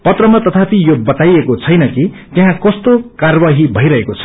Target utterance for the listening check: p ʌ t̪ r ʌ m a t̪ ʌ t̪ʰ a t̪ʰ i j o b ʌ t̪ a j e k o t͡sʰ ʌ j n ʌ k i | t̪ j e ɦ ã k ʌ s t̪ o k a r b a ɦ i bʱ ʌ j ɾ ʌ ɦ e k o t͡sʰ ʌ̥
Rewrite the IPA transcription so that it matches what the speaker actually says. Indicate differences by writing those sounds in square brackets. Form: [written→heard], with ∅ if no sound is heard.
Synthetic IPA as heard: p ʌ t̪ r ʌ m a t̪ ʌ t̪ʰ a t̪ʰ i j o b ʌ t̪ a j e k o t͡sʰ ʌ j n ʌ k i | t̪ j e ɦ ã k ʌ s t̪ o k a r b a ɦ i bʱ ʌ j ɾ ʌ ɦ e k o t͡sʰ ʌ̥